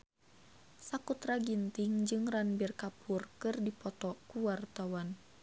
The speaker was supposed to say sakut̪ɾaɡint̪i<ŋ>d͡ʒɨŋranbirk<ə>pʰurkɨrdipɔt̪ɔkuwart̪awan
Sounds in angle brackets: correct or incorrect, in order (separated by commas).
correct, incorrect